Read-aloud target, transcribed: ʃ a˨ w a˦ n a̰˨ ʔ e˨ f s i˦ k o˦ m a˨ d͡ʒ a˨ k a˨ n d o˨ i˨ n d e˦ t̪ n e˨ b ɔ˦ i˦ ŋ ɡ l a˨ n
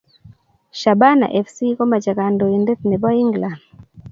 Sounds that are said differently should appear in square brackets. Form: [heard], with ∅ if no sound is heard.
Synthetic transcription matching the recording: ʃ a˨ [b] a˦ n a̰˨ ʔ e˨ f s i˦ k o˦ m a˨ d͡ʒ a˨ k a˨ n d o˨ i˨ n d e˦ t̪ n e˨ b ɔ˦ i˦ ŋ ɡ l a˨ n